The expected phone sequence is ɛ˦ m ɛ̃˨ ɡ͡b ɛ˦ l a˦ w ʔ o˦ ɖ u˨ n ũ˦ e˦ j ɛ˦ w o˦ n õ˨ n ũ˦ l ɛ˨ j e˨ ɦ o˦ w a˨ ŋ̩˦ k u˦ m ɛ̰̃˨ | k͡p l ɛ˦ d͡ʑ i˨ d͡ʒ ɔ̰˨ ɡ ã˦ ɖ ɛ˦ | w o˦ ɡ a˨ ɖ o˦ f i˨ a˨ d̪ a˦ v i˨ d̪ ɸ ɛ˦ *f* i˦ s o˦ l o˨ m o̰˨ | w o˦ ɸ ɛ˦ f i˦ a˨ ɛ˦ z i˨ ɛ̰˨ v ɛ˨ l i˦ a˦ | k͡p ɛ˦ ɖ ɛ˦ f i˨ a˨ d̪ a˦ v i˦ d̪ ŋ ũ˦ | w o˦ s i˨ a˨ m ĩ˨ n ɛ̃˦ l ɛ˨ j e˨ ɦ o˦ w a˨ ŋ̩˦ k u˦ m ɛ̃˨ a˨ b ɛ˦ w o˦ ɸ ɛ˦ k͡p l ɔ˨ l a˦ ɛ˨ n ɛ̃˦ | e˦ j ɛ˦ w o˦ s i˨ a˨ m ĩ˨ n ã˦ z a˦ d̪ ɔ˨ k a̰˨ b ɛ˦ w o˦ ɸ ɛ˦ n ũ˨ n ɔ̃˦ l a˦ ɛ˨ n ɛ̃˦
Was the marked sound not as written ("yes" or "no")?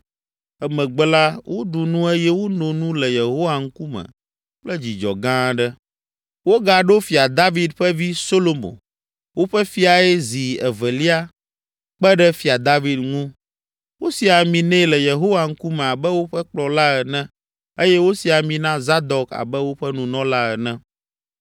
yes